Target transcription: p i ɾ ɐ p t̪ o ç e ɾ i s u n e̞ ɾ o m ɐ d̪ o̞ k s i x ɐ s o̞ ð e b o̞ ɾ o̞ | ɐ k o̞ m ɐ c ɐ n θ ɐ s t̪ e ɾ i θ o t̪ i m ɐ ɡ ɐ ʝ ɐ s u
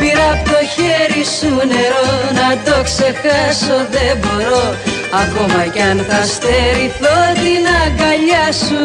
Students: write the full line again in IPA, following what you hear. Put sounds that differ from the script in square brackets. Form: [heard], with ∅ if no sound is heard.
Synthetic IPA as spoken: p i ɾ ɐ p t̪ o ç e ɾ i s u n e̞ ɾ o [n] ɐ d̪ o̞ k s [e] x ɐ s o̞ ð e b o̞ ɾ o̞ | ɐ k o̞ m ɐ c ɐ n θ ɐ s t̪ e ɾ i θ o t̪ i [n] ɐ ɡ ɐ [ʎ] ɐ s u